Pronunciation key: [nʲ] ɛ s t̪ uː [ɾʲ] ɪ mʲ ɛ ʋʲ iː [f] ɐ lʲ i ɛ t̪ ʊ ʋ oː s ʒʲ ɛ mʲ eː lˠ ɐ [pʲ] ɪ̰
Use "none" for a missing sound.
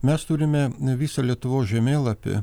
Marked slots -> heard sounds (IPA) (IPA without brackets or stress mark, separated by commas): mʲ, ɾʲ, s, pʲ